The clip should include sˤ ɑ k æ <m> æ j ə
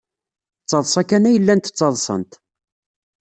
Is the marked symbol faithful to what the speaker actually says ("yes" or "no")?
no